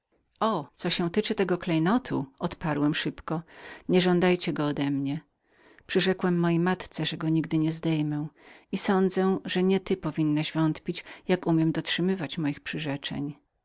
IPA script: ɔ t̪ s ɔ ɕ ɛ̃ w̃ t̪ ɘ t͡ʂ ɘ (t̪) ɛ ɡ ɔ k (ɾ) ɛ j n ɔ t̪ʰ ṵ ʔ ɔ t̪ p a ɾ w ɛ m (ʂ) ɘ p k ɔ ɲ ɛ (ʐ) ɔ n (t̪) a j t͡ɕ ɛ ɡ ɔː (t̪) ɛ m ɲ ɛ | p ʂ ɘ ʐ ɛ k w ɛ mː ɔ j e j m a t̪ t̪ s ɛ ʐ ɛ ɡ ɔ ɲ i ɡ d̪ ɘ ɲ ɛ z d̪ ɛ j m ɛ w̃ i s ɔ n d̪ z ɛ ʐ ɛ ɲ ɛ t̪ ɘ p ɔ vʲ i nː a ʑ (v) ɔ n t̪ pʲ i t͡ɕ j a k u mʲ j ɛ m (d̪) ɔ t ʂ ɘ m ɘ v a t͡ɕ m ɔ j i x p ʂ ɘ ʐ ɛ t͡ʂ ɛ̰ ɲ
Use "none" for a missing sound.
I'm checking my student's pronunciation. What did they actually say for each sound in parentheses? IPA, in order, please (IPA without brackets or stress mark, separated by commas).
t̪, l, ʂ, ʐ, d̪, d̪, v, d̪